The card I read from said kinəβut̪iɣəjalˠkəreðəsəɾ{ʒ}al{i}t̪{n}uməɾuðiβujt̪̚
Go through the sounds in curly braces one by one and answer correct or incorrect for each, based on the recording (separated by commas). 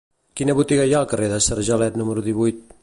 correct, incorrect, correct